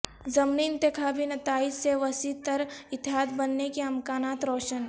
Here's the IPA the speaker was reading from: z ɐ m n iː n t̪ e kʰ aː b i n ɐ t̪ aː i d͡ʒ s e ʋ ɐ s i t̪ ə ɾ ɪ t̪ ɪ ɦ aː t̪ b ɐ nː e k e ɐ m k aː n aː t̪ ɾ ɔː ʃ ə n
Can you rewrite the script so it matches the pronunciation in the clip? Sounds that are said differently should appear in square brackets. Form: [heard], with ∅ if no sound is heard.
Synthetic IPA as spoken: z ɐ m n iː n t̪ e kʰ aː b i n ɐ t̪ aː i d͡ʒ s e ʋ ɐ s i t̪ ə ɾ ɪ t̪ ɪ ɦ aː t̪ b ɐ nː e k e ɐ m k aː n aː t̪ ɾ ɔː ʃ ə n